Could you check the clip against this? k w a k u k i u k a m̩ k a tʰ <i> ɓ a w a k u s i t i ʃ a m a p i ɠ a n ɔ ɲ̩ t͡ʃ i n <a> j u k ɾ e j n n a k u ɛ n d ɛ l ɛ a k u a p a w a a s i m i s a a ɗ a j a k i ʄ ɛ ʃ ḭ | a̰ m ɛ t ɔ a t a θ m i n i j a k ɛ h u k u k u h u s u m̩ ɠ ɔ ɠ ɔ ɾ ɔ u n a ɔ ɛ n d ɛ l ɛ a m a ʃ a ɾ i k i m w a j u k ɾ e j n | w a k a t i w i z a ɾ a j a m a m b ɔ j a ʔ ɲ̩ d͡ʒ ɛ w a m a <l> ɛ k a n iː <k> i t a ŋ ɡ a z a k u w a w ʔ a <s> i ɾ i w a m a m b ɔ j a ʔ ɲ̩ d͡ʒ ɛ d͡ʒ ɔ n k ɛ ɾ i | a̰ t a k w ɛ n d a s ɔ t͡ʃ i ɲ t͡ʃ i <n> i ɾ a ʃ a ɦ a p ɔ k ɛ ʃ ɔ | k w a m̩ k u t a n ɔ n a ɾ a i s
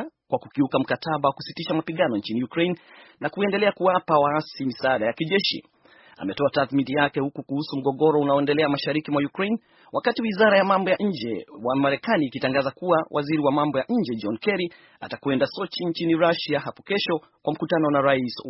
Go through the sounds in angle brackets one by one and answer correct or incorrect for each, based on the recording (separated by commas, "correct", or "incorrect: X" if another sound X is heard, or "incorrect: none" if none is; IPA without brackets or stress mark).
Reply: incorrect: a, incorrect: i, incorrect: ɾ, correct, incorrect: z, correct